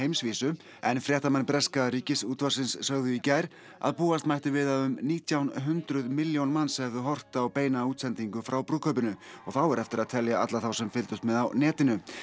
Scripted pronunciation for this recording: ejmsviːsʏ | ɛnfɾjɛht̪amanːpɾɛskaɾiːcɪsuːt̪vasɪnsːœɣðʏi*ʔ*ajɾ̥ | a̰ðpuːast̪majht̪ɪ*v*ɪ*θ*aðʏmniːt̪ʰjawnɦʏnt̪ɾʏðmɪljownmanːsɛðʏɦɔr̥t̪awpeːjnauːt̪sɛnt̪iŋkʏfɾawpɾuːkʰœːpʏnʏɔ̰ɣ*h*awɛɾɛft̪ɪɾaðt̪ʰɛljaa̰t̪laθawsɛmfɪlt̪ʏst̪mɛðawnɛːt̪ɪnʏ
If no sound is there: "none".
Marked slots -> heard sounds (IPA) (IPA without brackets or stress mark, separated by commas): c, v, ð, θ